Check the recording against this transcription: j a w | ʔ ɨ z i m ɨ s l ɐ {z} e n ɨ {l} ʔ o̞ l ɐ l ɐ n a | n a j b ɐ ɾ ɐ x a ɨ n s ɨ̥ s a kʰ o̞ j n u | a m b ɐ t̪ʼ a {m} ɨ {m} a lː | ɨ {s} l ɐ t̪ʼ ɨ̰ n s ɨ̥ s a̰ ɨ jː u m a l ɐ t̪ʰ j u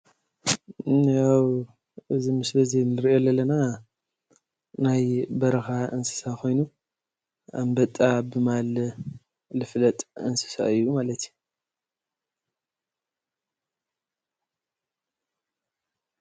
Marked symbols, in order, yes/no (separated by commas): yes, no, no, yes, no